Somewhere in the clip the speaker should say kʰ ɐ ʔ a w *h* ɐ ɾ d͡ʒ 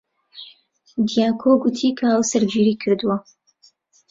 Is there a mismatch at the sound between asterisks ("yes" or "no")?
yes